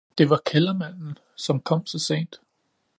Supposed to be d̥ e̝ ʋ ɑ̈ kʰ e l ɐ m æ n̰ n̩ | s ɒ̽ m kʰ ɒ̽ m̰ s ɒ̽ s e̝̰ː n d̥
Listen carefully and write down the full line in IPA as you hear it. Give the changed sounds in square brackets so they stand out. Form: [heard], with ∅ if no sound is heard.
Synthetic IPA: d̥ e̝ ʋ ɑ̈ kʰ e l ɐ m æ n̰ n̩ | s ɒ̽ m kʰ ɒ̽ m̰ s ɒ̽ s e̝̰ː n d̥